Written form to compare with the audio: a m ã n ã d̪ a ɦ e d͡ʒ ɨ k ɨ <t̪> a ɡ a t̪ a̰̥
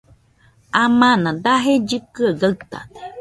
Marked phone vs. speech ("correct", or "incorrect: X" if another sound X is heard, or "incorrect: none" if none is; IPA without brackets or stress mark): incorrect: none